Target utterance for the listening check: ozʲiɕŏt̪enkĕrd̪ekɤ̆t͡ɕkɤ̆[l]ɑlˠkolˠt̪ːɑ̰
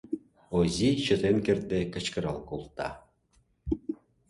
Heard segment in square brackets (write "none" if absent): ɾ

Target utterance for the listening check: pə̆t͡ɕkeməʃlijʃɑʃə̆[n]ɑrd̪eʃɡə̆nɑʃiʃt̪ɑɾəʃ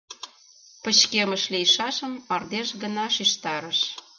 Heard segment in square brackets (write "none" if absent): m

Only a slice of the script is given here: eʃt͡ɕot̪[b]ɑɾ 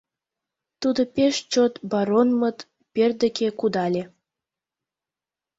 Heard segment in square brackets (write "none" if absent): b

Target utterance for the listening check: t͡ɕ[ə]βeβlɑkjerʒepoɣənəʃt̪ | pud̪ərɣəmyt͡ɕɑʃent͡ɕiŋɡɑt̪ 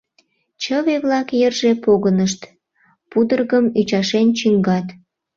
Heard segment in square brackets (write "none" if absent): ə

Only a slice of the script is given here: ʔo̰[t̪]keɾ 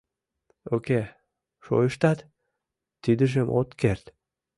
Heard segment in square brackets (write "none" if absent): t̪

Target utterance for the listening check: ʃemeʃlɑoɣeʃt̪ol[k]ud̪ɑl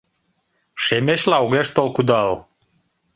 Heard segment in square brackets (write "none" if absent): k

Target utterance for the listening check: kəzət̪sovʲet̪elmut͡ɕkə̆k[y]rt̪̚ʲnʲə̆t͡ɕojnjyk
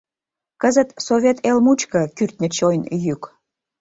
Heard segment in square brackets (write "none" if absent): y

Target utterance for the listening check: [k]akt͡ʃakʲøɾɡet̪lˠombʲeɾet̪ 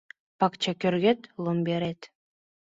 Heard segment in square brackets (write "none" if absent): p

